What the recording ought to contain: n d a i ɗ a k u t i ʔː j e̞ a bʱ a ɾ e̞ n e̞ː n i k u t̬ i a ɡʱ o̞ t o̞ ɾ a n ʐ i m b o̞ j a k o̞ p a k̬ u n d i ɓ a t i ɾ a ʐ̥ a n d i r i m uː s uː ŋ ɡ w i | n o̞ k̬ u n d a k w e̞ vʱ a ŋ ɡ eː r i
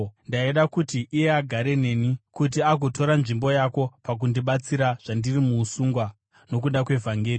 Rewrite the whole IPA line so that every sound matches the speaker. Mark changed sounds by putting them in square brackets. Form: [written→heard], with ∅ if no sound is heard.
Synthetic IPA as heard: n d a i ɗ a k u t i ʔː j e̞ a [bʱ→ɡʱ] a ɾ e̞ n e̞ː n i k u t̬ i a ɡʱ o̞ t o̞ ɾ a n ʐ i m b o̞ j a k o̞ p a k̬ u n d i ɓ a [t→t͡s] i ɾ a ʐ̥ a n d i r i m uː s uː ŋ ɡ w [i→a] | n o̞ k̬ u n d a k w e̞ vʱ a ŋ ɡ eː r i

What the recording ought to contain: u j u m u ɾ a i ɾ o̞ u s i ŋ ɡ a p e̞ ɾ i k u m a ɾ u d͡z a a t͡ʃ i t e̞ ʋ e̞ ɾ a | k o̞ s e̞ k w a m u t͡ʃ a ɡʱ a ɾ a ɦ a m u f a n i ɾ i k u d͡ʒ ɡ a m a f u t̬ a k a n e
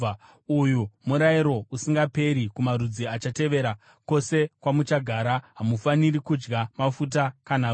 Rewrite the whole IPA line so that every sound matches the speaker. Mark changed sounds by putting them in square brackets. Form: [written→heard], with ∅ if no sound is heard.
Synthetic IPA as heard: u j u m u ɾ a i ɾ o̞ u s i ŋ ɡ a p e̞ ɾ i k u m a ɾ u d͡z [a→i] a t͡ʃ [i→a] t e̞ ʋ e̞ ɾ a | k o̞ s e̞ k w a m u t͡ʃ a ɡʱ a ɾ a ɦ a m u f a n i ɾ i k u d͡ʒ ɡ a m a f u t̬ a k a n [e→a]

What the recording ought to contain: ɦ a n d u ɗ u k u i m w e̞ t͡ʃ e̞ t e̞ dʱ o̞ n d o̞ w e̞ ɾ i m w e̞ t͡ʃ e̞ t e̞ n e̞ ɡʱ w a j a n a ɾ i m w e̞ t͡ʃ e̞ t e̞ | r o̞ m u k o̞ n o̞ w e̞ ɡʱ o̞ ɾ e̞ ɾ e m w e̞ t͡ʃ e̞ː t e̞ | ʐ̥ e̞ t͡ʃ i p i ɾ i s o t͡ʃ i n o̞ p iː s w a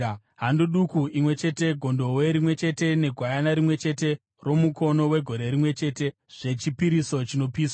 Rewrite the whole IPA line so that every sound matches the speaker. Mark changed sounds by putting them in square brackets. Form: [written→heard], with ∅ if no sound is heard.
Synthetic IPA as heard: ɦ a n d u ɗ u k u i m w e̞ t͡ʃ e̞ t e̞ [dʱ→ɡʱ] o̞ n d o̞ w e̞ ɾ i m w e̞ t͡ʃ e̞ t e̞ n e̞ ɡʱ w a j a n a ɾ i m w e̞ t͡ʃ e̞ t e̞ | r o̞ m u k o̞ n o̞ w e̞ ɡʱ o̞ ɾ e̞ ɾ [e→i] m w e̞ t͡ʃ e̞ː t e̞ | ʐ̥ e̞ t͡ʃ i p i ɾ i s o t͡ʃ i n o̞ p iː s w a

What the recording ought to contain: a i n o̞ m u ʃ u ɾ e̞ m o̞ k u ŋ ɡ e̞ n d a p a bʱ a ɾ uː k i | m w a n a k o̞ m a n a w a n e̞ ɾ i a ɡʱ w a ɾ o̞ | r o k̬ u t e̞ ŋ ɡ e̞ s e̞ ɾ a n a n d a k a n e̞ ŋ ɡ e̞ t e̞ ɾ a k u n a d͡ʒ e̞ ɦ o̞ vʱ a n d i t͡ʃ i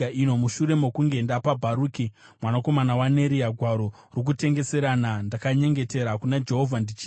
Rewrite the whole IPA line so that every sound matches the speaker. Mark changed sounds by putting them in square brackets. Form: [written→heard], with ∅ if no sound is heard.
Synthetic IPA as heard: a i n o̞ m u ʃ u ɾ e̞ m o̞ k u ŋ ɡ e̞ n d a p a bʱ a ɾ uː k i | m w a n a k o̞ m a n a w a n e̞ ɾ i a ɡʱ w a ɾ o̞ | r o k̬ u t e̞ ŋ ɡ e̞ s e̞ ɾ a n a n d a k a [n→ɲ] e̞ ŋ ɡ e̞ t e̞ ɾ a k u n a d͡ʒ e̞ ɦ o̞ vʱ a n d i t͡ʃ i

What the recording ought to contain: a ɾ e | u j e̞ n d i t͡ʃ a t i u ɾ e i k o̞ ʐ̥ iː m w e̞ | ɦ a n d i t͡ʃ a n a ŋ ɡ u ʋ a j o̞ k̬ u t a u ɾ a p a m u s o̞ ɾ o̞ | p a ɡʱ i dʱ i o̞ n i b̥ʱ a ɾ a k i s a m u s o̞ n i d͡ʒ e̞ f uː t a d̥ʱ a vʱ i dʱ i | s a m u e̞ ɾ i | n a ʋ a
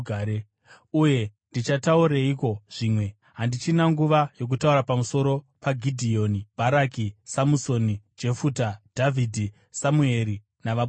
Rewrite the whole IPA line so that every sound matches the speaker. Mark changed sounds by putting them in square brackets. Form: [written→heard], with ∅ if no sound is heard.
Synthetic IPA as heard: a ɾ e | u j e̞ n d i t͡ʃ a t [i→a] u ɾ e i k o̞ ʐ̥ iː m w e̞ | ɦ a n d i t͡ʃ [a→i] n a ŋ ɡ u ʋ a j o̞ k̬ u t a u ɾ a p a m u s o̞ ɾ o̞ | p a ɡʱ i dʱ i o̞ n i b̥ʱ a ɾ a k i s a m u s o̞ n i d͡ʒ e̞ f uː t a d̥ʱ a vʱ i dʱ i | s a m u e̞ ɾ i | n a ʋ a

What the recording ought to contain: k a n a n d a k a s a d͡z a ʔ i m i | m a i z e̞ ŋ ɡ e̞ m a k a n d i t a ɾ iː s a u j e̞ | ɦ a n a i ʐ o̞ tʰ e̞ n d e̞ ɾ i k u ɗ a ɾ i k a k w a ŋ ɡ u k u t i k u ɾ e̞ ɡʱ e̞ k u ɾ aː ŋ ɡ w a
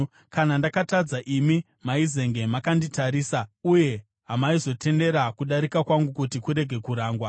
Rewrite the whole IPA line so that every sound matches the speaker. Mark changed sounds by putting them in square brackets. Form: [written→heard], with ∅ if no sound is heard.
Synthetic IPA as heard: k a n a n d a k a [s→t] a d͡z a ʔ i m i | m a i z e̞ ŋ ɡ e̞ m a k a n d i t a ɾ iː s a u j e̞ | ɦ a [n→m] a i [ʐ→z] o̞ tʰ e̞ n d e̞ ɾ [i→a] k u ɗ a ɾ i k a k w a ŋ ɡ u k u t i k u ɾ e̞ ɡʱ e̞ k u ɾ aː ŋ ɡ w a

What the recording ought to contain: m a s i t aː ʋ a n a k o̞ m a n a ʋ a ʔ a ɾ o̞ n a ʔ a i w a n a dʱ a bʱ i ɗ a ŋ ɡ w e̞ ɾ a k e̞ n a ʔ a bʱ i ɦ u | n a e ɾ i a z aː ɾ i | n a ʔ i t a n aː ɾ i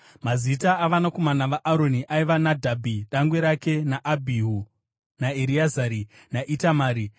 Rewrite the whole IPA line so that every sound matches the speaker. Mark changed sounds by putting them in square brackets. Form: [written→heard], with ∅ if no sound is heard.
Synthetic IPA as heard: m a [s→z] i t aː ʋ a n a k o̞ m a n a ʋ a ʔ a ɾ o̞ n [a→i] ʔ a i [w→ʋ] a n a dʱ a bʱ i ɗ a ŋ ɡ w e̞ ɾ a k e̞ n a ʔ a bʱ i ɦ u | n a e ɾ i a z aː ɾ i | n a ʔ i t a [n→m] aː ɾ i

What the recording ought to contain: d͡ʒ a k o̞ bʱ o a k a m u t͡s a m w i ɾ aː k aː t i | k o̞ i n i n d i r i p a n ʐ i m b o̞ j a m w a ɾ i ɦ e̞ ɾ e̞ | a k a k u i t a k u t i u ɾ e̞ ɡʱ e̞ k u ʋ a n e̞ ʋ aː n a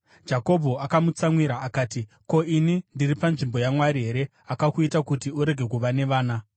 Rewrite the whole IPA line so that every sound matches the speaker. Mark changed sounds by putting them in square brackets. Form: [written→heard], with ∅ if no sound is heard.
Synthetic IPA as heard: d͡ʒ a k o̞ bʱ o a k a m u t͡s a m w i ɾ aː k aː t i | k o̞ i n i n d i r i p a n ʐ i m b o̞ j a m w a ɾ i ɦ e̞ ɾ e̞ | a k a k u i t a k u t i u ɾ e̞ ɡʱ e̞ k u ʋ a n e̞ ʋ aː n a

